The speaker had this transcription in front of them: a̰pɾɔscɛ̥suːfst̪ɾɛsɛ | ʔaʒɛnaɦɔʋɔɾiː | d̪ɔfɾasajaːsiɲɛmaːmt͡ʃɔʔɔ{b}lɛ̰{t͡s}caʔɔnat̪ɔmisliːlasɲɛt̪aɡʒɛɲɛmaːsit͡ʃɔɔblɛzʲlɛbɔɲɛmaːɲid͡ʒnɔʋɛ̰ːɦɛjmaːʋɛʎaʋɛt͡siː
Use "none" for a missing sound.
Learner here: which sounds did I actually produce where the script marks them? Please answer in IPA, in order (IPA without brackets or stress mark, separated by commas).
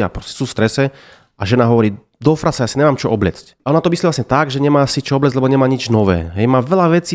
b, t͡s